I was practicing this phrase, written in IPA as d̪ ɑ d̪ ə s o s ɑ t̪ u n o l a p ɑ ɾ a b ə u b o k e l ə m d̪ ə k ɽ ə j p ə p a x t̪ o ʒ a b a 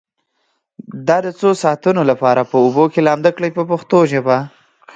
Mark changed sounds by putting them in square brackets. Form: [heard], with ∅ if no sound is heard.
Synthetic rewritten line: d̪ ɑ d̪ ə [t͡s] o s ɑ t̪ u n o l a p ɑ ɾ a [p] ə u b o k e l [ɑ] m d̪ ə k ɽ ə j p ə p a x t̪ o ʒ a b a